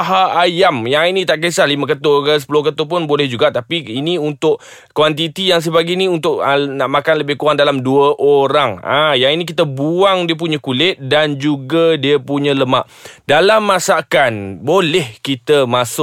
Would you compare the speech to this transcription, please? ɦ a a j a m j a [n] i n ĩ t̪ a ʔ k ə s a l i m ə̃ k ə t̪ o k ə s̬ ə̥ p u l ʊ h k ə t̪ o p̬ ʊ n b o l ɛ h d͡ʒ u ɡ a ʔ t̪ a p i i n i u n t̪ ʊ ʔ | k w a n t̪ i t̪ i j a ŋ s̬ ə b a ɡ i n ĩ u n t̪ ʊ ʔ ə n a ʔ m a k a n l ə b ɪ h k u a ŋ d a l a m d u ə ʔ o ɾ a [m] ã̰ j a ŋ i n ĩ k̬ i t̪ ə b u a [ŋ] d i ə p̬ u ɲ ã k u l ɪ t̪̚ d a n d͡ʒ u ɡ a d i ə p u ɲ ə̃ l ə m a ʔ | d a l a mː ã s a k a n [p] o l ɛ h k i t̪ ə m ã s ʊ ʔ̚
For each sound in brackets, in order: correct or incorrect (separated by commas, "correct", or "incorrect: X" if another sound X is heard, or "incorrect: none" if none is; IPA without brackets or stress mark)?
incorrect: ŋ, incorrect: ŋ, correct, incorrect: b